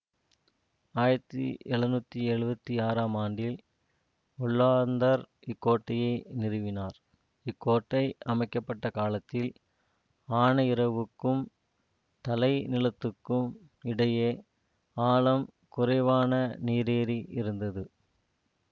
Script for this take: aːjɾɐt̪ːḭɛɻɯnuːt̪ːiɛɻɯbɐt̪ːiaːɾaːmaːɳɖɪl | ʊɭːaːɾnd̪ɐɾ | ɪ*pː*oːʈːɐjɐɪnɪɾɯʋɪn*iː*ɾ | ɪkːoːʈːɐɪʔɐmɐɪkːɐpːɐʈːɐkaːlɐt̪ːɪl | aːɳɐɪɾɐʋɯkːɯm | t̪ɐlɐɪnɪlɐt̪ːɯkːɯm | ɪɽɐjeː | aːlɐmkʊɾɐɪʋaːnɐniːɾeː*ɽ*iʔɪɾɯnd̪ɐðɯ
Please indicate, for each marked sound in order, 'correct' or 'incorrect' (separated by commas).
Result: incorrect, incorrect, incorrect